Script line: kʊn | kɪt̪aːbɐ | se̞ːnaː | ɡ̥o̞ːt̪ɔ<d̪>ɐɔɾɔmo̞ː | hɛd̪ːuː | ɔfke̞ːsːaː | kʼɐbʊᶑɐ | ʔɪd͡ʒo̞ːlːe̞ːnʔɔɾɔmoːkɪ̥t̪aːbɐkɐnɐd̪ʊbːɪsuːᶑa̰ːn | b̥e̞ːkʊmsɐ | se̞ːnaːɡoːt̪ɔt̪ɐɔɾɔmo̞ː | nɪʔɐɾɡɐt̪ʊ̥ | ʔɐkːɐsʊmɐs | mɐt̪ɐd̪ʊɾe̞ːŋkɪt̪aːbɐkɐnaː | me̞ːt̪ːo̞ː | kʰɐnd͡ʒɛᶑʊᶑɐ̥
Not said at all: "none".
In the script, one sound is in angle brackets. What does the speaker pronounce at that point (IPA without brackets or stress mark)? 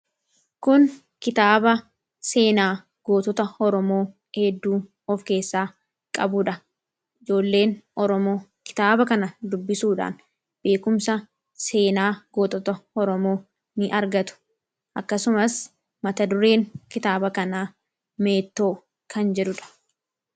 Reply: t̪